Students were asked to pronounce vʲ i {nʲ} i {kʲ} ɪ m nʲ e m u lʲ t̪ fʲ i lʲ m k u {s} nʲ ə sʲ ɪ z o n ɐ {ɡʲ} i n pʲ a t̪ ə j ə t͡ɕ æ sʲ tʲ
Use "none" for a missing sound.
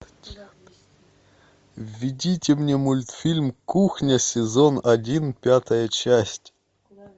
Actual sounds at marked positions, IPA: dʲ, tʲ, x, dʲ

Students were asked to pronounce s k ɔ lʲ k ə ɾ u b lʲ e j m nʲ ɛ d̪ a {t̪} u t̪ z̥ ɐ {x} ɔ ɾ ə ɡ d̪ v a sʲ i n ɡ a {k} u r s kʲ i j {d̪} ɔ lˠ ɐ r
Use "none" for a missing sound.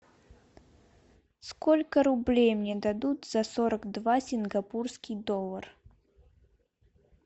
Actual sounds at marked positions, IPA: d̪, s, p, d̪

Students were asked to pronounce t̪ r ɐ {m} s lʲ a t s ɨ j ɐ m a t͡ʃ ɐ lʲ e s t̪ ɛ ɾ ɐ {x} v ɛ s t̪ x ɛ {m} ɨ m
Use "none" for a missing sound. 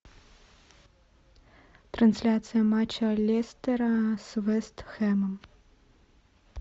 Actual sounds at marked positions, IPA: n, s, m

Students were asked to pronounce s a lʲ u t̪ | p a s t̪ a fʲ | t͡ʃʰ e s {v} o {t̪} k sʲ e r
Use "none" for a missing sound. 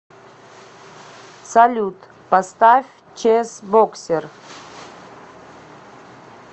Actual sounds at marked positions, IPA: b, none

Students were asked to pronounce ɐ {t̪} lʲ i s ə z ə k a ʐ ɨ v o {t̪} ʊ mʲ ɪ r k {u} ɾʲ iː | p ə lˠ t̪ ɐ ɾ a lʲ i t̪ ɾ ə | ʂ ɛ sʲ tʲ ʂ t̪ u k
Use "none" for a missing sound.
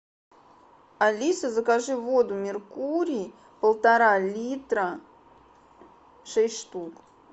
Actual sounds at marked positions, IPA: none, d̪, u

